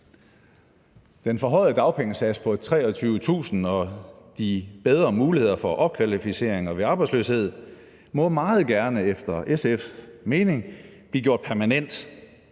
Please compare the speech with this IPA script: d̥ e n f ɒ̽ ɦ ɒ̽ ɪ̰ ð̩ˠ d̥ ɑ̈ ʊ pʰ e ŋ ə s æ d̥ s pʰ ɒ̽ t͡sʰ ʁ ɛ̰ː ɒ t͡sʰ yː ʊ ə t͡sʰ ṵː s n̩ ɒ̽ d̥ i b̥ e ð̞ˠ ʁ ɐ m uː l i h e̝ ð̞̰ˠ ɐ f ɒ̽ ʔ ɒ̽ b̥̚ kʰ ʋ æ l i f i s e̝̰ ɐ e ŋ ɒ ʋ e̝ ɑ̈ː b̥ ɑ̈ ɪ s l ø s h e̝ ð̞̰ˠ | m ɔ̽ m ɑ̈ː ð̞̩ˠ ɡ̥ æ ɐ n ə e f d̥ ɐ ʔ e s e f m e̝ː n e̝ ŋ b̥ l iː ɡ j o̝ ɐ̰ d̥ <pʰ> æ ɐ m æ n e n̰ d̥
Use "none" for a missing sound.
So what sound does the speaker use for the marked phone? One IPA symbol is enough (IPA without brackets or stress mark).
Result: pʰ